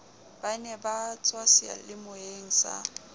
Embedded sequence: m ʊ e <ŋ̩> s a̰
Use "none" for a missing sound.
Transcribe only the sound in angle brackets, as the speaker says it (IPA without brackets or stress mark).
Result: ŋ̩